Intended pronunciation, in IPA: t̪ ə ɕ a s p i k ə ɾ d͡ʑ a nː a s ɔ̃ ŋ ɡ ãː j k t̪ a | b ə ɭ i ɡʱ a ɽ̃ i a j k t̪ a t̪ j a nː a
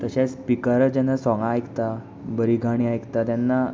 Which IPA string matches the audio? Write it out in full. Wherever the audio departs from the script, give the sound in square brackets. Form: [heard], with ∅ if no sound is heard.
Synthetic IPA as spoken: t̪ ə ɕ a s p i k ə ɾ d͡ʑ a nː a s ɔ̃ ŋ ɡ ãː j k t̪ a | b ə [ɾ] i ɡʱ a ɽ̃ i a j k t̪ a t̪ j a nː a